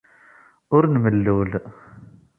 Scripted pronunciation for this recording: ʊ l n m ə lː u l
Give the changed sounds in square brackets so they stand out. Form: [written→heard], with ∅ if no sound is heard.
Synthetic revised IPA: ʊ [l→ɾ] n m ə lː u l